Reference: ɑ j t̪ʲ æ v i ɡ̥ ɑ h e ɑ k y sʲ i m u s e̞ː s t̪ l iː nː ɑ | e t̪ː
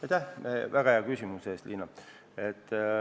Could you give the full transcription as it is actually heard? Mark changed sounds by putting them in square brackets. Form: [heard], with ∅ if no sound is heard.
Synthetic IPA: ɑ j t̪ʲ æ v [æ] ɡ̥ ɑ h e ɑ k y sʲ i m u s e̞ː s t̪ l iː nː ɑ | e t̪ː

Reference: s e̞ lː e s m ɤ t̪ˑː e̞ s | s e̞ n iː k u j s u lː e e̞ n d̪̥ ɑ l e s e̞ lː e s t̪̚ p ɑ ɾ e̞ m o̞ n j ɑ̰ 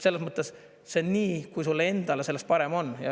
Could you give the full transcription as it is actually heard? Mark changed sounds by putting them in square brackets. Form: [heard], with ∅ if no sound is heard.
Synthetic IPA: s e̞ lː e s m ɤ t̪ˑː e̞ s | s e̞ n iː k u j s u lː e e̞ n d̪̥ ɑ l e s e̞ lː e s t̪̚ p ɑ ɾ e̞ m o̞ n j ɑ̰

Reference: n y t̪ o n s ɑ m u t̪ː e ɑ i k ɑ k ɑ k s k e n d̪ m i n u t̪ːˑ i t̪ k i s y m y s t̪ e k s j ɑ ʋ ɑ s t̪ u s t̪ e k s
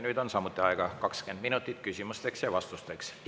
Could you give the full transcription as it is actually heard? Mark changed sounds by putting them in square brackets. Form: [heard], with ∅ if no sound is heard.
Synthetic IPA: n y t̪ o n s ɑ m u t̪ː e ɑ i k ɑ k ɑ k s k e n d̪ m i n u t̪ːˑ i t̪ k [y] s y m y s t̪ e k s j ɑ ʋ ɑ s t̪ u s t̪ e k s

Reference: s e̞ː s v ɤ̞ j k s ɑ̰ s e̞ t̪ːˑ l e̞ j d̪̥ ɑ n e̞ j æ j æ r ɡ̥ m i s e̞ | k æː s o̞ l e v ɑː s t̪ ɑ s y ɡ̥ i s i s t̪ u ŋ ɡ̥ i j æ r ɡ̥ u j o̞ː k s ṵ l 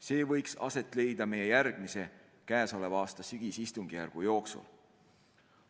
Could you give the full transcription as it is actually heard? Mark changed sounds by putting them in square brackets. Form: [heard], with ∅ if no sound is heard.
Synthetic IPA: s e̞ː [∅] v ɤ̞ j k s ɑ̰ s e̞ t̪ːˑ l e̞ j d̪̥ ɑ [m] e̞ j [e] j æ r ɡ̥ m i s e̞ | k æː s o̞ l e v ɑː s t̪ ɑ s y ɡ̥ i s i s t̪ u ŋ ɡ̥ i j æ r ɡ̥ u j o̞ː k s ṵ l

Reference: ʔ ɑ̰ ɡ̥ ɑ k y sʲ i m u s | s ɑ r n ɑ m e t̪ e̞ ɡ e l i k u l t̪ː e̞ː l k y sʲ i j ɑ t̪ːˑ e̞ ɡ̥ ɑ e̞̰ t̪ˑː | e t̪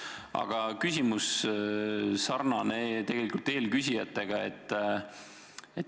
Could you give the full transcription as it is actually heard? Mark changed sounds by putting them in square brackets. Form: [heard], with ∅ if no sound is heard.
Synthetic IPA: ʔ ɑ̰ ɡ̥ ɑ k y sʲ i m u s | s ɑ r n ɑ [n] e t̪ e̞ ɡ e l i k u l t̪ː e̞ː l k y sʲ i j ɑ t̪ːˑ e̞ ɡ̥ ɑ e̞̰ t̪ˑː | e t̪

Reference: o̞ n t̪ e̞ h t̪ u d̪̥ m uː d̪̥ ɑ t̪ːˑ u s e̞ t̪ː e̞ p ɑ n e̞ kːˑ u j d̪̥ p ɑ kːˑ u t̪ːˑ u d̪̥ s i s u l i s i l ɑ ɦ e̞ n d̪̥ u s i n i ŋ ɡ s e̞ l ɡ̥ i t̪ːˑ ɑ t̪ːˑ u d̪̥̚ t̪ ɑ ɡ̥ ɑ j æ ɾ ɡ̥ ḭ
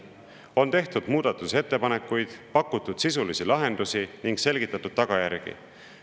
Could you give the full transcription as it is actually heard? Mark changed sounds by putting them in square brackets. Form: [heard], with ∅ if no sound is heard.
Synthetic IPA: o̞ n t̪ e̞ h t̪ u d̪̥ m uː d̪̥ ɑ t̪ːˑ u s e̞ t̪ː e̞ p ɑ n e̞ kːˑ u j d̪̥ p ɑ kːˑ u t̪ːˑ u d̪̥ s i s u l i s i l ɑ ɦ e̞ n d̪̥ u s i n i ŋ ɡ s e̞ l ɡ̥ i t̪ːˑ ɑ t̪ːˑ u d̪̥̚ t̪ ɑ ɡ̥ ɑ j æ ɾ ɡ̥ ḭ

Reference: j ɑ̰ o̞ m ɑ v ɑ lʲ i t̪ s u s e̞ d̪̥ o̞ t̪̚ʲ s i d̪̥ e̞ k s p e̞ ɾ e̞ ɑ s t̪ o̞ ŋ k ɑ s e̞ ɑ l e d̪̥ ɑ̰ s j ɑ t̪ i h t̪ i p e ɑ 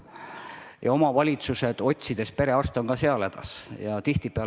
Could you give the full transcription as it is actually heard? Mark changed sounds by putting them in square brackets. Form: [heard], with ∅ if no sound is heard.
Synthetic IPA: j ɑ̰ o̞ m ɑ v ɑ lʲ i t̪ s u s e̞ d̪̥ o̞ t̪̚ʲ s i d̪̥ e̞ [∅] s p e̞ ɾ e̞ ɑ s t̪ o̞ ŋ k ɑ s e̞ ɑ l e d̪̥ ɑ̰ s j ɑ t̪ i h t̪ i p e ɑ

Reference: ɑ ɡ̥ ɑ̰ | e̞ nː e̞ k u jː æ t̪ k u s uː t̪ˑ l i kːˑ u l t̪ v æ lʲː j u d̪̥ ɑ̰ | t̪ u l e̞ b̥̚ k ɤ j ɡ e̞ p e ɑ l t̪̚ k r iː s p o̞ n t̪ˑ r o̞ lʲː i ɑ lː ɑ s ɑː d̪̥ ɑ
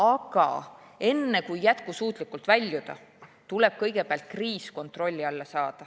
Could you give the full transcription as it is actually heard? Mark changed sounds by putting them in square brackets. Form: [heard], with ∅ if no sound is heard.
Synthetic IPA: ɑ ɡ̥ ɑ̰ | e̞ nː e̞ k u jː æ t̪ k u s uː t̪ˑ l i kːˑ u l t̪ v æ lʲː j u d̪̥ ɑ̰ | t̪ u l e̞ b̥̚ k ɤ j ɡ e̞ p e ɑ l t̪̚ k r iː s [k] o̞ n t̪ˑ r o̞ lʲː i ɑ lː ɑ s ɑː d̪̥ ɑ

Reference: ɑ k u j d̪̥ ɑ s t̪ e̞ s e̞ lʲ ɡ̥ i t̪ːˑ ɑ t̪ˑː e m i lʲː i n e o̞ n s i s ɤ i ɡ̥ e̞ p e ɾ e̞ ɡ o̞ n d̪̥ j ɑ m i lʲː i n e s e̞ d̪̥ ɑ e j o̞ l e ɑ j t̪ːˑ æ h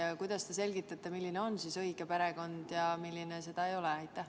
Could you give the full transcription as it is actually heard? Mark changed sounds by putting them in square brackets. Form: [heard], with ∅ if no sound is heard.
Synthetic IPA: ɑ k u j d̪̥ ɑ s t̪ e̞ s e̞ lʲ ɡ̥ i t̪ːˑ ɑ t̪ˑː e m i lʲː i n e o̞ n s i s ɤ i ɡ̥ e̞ p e ɾ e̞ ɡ o̞ n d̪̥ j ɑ m i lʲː i n e s e̞ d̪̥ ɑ e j o̞ l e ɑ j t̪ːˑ æ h

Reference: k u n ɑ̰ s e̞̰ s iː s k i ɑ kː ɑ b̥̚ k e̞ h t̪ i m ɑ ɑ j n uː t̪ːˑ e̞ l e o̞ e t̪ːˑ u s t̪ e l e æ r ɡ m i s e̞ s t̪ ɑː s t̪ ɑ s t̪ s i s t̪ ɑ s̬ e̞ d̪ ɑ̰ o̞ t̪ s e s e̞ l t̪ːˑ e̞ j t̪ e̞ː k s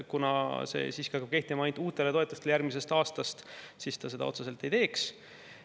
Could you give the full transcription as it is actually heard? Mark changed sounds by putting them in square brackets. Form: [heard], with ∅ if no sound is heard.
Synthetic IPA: k u n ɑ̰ s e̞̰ s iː s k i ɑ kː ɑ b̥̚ k e̞ h t̪ i m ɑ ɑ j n uː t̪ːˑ e̞ l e o̞ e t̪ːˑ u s t̪ e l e æ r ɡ m i s e̞ s t̪ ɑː s t̪ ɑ s t̪ s i s t̪ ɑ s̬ e̞ d̪ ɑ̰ o̞ t̪ s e s e̞ l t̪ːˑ e̞ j t̪ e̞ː k s

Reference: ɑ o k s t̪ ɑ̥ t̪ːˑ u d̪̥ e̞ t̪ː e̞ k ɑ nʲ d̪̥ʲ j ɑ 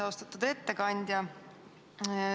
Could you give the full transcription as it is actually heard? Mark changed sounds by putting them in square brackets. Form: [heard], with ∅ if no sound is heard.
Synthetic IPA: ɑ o [∅] s t̪ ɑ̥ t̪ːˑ u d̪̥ e̞ t̪ː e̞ k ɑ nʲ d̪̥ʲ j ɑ

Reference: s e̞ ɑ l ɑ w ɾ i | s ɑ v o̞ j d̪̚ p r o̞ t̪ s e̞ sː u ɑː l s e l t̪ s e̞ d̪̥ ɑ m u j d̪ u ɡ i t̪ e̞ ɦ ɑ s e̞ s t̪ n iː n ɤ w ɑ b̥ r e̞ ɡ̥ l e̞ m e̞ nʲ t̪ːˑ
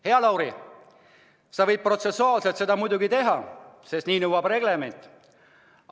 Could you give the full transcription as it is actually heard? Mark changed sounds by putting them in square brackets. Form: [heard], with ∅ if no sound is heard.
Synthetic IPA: [h] e̞ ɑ l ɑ w ɾ i | s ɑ v [ɤ̞] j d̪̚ p r o̞ t̪ s e̞ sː u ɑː l s e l t̪ s e̞ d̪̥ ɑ m u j d̪ u ɡ i t̪ e̞ ɦ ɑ s e̞ s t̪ n iː n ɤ w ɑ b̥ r e̞ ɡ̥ l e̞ m e̞ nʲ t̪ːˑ

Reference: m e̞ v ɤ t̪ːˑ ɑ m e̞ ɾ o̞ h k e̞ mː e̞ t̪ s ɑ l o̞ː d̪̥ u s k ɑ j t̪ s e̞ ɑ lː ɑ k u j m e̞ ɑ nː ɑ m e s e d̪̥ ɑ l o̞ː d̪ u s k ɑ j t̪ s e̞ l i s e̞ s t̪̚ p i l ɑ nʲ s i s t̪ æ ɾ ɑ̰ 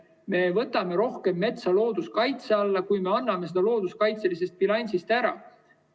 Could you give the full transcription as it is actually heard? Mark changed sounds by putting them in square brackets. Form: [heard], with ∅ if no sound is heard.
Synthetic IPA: m e̞ v ɤ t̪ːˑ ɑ m e̞ ɾ o̞ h k e̞ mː e̞ t̪ s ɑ l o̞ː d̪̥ u s k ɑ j t̪ s e̞ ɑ lː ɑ k u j m e̞ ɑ nː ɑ m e s e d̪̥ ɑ l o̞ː d̪ u s k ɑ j t̪ s e̞ l i s e̞ s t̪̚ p i l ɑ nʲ s i s t̪ æ ɾ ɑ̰

